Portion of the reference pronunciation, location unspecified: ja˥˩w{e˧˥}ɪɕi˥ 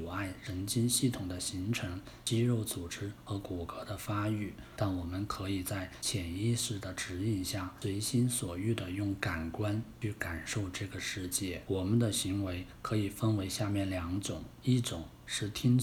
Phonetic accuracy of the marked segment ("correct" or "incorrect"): correct